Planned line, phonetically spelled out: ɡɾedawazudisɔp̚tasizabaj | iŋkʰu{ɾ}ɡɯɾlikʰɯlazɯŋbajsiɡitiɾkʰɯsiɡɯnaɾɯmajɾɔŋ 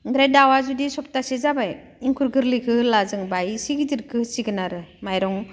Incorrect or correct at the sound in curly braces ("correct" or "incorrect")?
correct